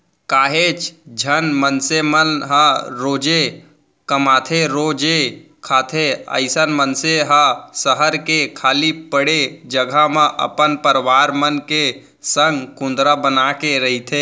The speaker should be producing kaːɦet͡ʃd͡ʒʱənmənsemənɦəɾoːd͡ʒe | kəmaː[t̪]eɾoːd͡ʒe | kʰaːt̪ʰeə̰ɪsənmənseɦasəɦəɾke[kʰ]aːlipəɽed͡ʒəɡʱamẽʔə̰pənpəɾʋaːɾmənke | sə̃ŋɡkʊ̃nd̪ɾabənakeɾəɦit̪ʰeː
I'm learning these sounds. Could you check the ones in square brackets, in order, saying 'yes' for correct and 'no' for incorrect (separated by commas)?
no, yes